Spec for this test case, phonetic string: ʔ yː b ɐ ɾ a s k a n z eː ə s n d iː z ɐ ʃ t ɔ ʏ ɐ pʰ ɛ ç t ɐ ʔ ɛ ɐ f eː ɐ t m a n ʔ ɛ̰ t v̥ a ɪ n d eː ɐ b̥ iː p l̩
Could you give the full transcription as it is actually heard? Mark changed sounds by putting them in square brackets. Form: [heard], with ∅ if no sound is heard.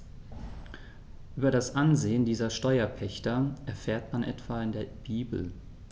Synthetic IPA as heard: ʔ yː b ɐ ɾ a s [ʔ] a n z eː ə [∅] n d iː z ɐ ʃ t ɔ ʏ ɐ pʰ ɛ ç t ɐ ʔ ɛ ɐ f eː ɐ t m a n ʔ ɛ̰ t v̥ a ɪ n d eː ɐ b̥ iː [b] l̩